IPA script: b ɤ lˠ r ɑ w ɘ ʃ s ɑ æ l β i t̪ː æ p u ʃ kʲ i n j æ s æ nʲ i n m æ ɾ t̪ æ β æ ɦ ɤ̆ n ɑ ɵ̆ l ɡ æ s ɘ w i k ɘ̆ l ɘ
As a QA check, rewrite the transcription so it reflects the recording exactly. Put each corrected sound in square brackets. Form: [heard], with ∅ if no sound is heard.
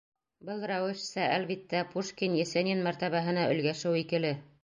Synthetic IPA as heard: b ɤ lˠ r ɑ w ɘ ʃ s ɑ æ l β i t̪ː æ p u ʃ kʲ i n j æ s æ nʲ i n m æ ɾ t̪ æ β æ ɦ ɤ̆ n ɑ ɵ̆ l ɡ æ [ʃ] ɘ w i k ɘ̆ l ɘ